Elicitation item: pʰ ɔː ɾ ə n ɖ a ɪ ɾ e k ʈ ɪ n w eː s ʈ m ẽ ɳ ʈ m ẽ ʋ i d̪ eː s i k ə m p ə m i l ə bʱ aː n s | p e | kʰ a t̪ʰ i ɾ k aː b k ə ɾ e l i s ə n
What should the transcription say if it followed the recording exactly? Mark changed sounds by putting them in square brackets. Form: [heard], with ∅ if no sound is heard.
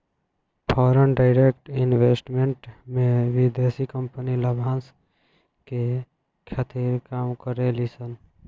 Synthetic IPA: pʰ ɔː ɾ ə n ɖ a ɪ ɾ e k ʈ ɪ n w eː s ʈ m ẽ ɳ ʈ m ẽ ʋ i d̪ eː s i k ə m p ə [n] i l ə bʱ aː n s | [k] e | kʰ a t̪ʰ i ɾ k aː [m] k ə ɾ e l i s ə n

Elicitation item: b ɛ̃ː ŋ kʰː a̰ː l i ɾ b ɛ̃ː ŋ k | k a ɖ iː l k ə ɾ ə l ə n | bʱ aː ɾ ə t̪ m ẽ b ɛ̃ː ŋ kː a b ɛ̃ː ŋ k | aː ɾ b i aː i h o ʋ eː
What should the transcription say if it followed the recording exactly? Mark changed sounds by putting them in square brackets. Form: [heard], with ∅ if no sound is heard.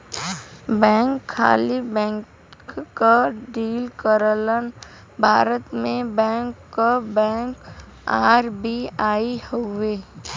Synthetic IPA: b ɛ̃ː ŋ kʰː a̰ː l i [∅] b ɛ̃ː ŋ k | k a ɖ iː l k ə ɾ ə l ə n | bʱ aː ɾ ə t̪ m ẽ b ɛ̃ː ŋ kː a b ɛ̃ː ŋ k | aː ɾ b i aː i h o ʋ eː

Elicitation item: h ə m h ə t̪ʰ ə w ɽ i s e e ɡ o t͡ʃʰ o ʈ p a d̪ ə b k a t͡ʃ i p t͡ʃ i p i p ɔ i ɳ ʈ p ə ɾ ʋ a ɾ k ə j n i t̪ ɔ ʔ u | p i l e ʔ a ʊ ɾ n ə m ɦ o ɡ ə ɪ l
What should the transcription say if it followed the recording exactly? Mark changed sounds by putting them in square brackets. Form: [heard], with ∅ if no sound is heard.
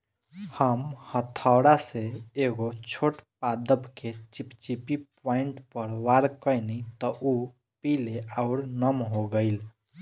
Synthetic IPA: h ə m h ə t̪ʰ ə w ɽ [a] s e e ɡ o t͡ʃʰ o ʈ p a d̪ ə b k [e] t͡ʃ i p t͡ʃ i p i p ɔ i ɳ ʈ p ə ɾ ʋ a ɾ k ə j n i t̪ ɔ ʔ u | p i l e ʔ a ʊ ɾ n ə m ɦ o ɡ ə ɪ l

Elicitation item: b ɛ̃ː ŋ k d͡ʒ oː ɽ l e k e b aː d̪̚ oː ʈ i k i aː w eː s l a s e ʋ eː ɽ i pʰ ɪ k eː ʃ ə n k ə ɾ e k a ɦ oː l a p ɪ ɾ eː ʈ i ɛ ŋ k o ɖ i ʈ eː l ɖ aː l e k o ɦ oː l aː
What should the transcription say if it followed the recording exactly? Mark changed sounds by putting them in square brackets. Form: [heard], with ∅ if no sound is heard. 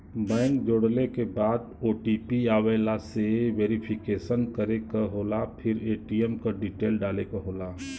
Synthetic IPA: b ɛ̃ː ŋ k d͡ʒ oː ɽ l e k e b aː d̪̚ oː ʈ i [p] i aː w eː [∅] l a s e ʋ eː [ɾ] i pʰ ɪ k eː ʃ ə n k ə ɾ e k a ɦ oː l a [pʰ] ɪ ɾ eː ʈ i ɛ [m] k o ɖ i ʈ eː l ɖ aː l e k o ɦ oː l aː

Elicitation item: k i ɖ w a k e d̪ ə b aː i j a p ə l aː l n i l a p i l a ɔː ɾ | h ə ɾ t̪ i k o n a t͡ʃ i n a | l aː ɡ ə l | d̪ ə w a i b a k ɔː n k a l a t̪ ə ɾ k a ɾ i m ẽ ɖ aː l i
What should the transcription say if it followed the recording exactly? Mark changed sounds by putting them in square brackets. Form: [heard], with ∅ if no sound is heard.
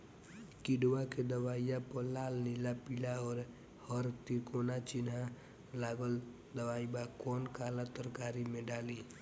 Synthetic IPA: k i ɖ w a k e d̪ ə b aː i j a p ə l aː l n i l a p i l a ɔː ɾ | h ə ɾ t̪ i k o n a t͡ʃ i n a | l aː ɡ ə l | d̪ ə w a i b a k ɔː n k a l a t̪ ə ɾ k a ɾ i m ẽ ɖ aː l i

